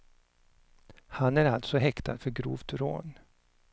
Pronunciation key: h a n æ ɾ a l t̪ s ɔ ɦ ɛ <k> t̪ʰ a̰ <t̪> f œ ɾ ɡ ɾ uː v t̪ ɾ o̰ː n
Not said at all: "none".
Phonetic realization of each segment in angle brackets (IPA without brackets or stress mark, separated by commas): k, d̪